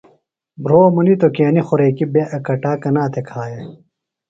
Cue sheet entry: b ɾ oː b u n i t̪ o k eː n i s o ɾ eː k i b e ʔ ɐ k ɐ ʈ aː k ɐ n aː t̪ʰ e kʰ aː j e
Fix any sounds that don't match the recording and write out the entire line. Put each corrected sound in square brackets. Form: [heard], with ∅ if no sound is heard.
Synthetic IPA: b ɾ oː [m] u n i t̪ o k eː n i [x] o ɾ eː k i b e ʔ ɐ k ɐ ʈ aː k ɐ n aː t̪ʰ e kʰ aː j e